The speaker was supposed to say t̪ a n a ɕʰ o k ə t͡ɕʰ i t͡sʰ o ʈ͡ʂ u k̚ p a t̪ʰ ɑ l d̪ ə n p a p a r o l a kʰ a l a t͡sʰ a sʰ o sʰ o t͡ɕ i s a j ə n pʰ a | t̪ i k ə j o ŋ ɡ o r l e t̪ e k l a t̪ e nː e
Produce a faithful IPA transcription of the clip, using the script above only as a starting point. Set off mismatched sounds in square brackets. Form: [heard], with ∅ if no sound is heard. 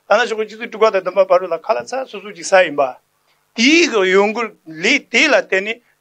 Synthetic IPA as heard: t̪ a n a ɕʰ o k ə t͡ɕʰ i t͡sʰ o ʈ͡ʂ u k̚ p a [t̪] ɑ [∅] d̪ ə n p a p a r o l a kʰ a l a t͡sʰ a sʰ o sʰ o t͡ɕ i s a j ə n [p] a | t̪ i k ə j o ŋ ɡ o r l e t̪ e [∅] l a t̪ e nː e